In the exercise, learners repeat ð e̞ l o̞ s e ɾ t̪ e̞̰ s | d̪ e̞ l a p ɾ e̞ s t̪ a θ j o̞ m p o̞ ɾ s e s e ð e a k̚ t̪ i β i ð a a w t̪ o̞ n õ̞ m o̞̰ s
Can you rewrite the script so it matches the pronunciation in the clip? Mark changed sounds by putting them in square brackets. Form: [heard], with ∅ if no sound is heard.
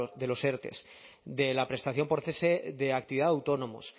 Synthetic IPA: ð e̞ l o̞ s e ɾ t̪ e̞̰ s | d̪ e̞ l a p ɾ e̞ s t̪ a θ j o̞ m p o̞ ɾ [θ] e s e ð e a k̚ t̪ i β i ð a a w t̪ o̞ n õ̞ m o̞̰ s